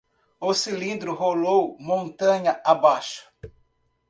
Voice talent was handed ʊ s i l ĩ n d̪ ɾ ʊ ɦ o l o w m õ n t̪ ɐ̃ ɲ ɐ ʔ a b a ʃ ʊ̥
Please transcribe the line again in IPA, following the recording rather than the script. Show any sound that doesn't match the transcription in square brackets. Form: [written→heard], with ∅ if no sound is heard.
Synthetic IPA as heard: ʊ s i l ĩ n d̪ ɾ ʊ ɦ o l o w m õ n t̪ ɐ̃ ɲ ɐ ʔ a b a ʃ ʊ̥